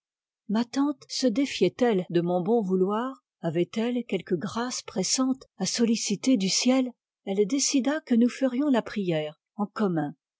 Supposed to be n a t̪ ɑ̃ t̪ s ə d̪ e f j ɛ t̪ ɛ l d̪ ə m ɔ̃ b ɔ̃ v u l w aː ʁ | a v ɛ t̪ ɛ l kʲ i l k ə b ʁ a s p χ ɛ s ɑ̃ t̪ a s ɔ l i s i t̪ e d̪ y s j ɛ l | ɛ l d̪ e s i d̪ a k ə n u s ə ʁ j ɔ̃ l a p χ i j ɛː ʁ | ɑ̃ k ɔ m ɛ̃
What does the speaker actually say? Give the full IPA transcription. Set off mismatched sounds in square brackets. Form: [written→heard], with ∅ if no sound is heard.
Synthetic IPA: [n→m] a t̪ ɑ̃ t̪ s ə d̪ e f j ɛ t̪ ɛ l d̪ ə m ɔ̃ b ɔ̃ v u l w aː ʁ | a v ɛ t̪ ɛ l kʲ [i→ɛ] l k ə [b→ɡ] ʁ a s p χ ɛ s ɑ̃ t̪ a s ɔ l i s i t̪ e d̪ y s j ɛ l | ɛ l d̪ e s i d̪ a k ə n u [s→f] ə ʁ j ɔ̃ l a p χ i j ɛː ʁ | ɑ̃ k ɔ m ɛ̃